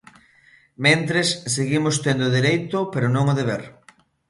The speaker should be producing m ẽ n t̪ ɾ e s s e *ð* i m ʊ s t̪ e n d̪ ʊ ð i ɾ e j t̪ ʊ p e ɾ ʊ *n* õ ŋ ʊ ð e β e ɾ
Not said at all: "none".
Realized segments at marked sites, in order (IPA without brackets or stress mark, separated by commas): ɣ, n